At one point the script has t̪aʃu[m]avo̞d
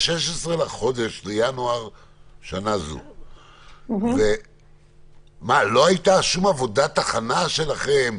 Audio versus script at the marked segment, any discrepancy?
no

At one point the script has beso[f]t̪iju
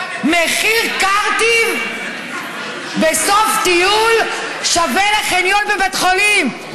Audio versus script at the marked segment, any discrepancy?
no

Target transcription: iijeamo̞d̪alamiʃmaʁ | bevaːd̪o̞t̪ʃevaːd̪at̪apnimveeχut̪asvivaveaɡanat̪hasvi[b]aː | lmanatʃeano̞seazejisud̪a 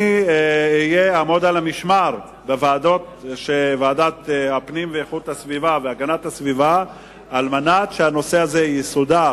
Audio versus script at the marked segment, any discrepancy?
yes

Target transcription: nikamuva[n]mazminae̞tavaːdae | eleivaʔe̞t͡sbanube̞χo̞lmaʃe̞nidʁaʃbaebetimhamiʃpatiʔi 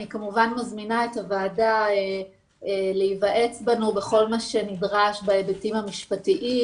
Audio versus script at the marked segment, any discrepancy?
no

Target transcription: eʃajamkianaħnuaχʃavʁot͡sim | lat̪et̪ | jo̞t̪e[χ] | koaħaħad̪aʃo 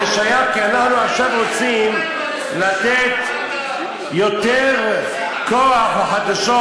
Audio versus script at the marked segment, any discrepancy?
yes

